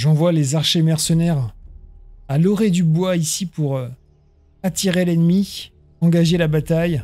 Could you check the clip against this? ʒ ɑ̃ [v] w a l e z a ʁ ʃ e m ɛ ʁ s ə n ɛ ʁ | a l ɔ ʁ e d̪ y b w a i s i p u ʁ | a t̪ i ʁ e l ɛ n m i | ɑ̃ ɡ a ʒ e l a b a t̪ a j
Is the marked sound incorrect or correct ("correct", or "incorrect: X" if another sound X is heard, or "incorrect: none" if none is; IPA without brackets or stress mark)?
correct